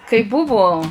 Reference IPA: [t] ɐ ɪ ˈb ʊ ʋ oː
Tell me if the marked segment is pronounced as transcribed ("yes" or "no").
no